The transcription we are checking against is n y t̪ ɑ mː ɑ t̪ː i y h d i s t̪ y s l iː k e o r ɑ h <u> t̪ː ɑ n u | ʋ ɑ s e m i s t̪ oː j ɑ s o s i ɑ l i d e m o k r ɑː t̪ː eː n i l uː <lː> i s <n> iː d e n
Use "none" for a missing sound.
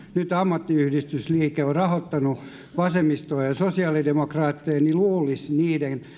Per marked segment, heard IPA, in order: o, l, n

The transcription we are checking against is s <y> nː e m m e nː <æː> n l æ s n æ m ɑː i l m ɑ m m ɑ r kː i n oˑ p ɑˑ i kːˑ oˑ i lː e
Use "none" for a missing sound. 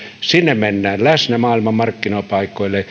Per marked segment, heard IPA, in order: i, æː

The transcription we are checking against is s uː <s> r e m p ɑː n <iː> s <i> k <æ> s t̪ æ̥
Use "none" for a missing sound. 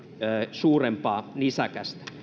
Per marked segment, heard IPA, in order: none, i, æ, æ

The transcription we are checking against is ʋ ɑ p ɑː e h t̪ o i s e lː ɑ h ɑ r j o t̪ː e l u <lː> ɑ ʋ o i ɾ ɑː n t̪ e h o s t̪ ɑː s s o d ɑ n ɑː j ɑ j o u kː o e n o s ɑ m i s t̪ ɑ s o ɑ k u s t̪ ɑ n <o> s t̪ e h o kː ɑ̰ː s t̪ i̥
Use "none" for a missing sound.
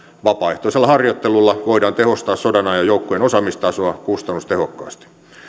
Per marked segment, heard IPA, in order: lː, u

